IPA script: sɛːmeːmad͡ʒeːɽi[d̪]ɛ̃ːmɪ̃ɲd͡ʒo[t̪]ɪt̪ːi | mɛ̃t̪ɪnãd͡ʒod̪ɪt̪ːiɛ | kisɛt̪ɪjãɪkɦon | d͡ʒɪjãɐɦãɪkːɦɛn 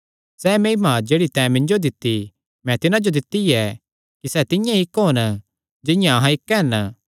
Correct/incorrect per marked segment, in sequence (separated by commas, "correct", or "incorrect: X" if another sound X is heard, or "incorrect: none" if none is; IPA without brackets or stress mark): incorrect: t̪, incorrect: d̪